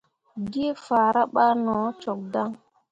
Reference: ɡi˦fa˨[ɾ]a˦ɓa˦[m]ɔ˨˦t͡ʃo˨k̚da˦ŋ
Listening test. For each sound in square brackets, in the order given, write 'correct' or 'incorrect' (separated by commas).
correct, incorrect